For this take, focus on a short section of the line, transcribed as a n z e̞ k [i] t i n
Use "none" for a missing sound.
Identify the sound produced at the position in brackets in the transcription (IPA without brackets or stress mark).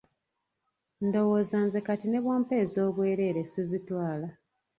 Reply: a